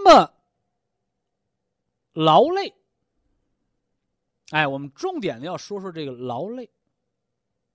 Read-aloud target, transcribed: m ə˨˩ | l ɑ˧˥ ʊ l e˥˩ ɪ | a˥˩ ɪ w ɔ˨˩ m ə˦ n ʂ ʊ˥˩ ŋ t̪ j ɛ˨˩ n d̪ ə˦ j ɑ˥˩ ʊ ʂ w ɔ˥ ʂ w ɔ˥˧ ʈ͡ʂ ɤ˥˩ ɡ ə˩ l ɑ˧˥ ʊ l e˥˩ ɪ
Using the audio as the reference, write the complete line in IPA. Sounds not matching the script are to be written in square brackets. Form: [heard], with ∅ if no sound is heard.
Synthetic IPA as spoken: m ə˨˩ | l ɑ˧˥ ʊ l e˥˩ ɪ | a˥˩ ɪ w ɔ˨˩ m ə˦ n [ʈ͡ʂ] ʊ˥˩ ŋ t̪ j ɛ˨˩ n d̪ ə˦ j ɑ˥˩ ʊ ʂ w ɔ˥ ʂ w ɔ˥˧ ʈ͡ʂ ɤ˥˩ ɡ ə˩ l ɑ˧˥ ʊ l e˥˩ ɪ